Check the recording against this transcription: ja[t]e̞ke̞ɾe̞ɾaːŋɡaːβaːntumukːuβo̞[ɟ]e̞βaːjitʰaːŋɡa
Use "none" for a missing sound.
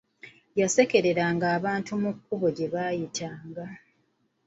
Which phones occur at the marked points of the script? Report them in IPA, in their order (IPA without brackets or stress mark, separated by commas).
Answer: s, ɟ